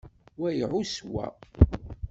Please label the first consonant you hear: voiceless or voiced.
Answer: voiced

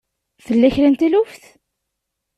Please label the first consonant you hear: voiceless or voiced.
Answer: voiceless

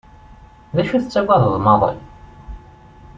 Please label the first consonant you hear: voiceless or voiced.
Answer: voiced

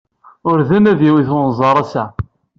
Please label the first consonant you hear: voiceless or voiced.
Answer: voiced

